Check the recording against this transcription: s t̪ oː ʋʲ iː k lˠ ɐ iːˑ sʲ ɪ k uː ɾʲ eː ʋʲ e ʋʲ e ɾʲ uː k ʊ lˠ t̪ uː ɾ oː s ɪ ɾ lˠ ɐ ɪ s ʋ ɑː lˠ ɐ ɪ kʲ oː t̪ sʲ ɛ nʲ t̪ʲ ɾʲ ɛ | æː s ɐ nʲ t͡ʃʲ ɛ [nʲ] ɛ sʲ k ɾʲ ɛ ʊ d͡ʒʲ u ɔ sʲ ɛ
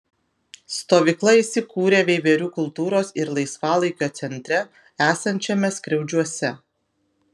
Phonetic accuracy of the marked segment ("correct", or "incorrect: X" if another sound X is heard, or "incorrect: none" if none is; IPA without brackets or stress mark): incorrect: mʲ